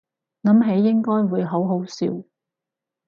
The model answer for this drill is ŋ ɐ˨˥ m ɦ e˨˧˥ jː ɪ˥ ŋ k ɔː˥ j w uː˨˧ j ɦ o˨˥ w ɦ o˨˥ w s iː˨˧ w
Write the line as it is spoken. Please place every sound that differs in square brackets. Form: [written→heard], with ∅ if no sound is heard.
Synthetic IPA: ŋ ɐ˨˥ m ɦ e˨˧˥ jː ɪ˥ ŋ k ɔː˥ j w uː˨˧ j ɦ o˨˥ w ɦ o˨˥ w s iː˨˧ w

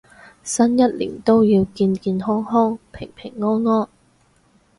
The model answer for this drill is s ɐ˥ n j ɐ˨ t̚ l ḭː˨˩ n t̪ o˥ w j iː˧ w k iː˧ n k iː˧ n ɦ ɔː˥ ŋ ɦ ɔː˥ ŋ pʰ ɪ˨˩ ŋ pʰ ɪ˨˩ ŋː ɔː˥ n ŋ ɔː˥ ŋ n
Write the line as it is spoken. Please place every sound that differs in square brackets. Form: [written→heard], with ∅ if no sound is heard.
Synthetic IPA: s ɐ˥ n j [ɐ˨→ɐ˥] t̚ l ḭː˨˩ n t̪ o˥ w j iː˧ w k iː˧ n k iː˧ n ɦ ɔː˥ ŋ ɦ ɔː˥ ŋ pʰ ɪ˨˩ ŋ pʰ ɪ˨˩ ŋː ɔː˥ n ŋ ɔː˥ [ŋ→∅] n

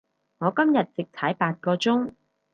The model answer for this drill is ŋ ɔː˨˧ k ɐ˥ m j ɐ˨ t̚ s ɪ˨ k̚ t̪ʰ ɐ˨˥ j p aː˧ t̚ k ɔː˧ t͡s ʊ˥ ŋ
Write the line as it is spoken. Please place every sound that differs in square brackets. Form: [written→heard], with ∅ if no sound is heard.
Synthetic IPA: ŋ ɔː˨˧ k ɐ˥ m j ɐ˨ t̚ [s→t͡s] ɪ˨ k̚ t̪ʰ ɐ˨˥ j p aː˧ t̚ k ɔː˧ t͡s ʊ˥ ŋ

